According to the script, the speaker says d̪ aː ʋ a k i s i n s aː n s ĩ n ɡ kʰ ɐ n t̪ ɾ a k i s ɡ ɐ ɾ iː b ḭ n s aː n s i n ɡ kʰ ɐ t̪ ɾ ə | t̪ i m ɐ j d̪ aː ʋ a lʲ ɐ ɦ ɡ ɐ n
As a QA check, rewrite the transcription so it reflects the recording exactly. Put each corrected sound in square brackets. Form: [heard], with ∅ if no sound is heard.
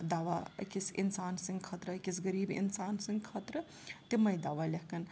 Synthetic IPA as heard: d̪ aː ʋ a k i s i n s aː n s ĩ [ŋ] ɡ kʰ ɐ [∅] t̪ ɾ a k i s ɡ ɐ ɾ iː b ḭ n s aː n s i [ŋ] ɡ kʰ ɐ t̪ ɾ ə | t̪ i m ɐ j d̪ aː ʋ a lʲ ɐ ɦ [k] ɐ n